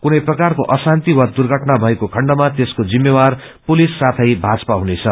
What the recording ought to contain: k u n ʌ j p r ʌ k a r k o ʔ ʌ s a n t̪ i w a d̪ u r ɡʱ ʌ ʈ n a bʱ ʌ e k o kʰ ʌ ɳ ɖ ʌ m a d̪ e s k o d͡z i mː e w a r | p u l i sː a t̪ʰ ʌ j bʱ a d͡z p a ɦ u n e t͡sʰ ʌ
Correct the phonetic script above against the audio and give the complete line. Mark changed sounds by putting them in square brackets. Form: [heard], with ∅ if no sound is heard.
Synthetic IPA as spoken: k u n ʌ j p r ʌ k a r k o ʔ ʌ s a n t̪ i w a d̪ u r ɡʱ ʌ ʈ n a bʱ ʌ e k o kʰ ʌ ɳ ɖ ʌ m a [t̪] e s k o d͡z i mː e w a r | p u l i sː a t̪ʰ ʌ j bʱ a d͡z p a ɦ u n e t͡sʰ ʌ